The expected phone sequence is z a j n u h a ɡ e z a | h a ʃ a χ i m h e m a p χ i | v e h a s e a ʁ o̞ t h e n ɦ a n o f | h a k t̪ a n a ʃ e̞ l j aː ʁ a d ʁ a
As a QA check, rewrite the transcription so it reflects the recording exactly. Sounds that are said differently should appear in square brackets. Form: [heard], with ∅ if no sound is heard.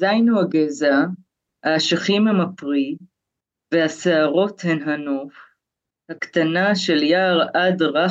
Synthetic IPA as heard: z a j n u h a ɡ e z a | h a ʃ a χ i m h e m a p [ʁ] i | v e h a s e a ʁ o̞ t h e n ɦ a n o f | h a k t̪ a n a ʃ e̞ l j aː ʁ a d ʁ a